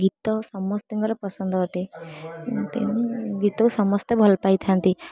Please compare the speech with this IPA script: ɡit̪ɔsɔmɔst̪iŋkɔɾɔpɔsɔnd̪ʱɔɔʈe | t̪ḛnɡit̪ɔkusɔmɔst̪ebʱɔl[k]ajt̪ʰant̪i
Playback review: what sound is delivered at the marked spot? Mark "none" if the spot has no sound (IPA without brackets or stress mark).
p